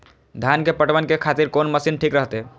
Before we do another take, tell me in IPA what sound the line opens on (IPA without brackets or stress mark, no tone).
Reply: d̪ʱ